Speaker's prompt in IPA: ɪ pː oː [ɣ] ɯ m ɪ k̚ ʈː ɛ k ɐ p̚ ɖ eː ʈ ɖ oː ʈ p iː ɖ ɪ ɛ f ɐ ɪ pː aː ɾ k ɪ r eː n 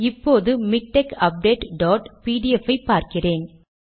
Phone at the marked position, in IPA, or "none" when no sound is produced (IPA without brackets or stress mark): ð